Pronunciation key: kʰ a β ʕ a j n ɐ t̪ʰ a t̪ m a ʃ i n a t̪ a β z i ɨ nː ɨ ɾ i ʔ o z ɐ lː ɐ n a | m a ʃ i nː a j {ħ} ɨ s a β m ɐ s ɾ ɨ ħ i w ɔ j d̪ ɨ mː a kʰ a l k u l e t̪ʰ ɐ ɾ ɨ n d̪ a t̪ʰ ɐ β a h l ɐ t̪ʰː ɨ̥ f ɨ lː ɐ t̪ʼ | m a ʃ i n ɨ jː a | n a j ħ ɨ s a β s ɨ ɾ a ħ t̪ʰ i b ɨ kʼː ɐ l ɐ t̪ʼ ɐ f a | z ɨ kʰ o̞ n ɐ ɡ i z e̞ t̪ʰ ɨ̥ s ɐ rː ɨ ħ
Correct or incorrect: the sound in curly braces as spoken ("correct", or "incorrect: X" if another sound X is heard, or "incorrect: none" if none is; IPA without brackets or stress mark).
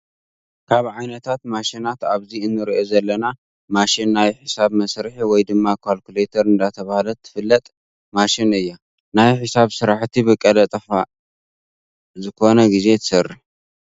correct